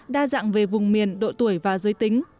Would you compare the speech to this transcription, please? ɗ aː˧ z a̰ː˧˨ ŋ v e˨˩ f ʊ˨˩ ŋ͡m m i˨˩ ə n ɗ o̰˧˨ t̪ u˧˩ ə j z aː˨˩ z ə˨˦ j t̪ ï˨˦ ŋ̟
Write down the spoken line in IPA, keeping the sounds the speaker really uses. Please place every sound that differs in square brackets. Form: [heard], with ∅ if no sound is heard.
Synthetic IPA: ɗ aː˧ z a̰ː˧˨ ŋ v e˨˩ [v] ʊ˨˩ ŋ͡m m i˨˩ ə n ɗ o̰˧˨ t̪ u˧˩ ə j [v] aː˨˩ z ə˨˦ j t̪ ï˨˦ ŋ̟